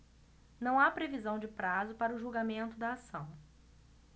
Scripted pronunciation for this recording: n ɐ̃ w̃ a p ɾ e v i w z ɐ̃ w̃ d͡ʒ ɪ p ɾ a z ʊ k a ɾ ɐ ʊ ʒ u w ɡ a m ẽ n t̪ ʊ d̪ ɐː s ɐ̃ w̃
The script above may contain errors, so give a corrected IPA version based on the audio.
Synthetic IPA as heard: n ɐ̃ w̃ a p ɾ e v i z ɐ̃ w̃ d͡ʒ ɪ p ɾ a z ʊ p a ɾ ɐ ʊ ʒ u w ɡ a m ẽ n t̪ ʊ d̪ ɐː s ɐ̃ w̃